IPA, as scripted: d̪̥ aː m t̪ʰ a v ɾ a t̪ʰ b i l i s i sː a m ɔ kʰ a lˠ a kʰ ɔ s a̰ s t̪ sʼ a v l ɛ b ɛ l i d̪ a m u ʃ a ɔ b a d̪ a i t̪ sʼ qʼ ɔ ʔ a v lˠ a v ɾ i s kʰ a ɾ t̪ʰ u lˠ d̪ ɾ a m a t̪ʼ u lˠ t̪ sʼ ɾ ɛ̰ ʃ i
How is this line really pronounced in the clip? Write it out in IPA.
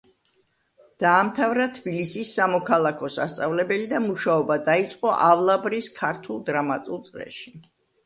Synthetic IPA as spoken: d̪̥ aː m t̪ʰ a v ɾ a t̪ʰ b i l i s i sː a m ɔ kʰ a lˠ a kʰ ɔ s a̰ s t̪ sʼ a v l ɛ b ɛ l i d̪ a m u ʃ a ɔ b a d̪ a i t̪ sʼ qʼ ɔ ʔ a v lˠ a b ɾ i s kʰ a ɾ t̪ʰ u lˠ d̪ ɾ a m a t̪ʼ u lˠ t̪ sʼ ɾ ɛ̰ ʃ i